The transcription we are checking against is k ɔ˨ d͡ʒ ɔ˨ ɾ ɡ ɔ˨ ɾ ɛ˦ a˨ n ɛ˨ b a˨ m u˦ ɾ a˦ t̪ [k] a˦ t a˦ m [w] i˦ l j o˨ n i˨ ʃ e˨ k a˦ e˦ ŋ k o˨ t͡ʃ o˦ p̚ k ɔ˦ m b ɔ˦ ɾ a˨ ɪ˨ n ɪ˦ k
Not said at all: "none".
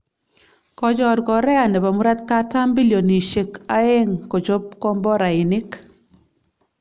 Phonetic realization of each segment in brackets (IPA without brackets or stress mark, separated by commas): k, b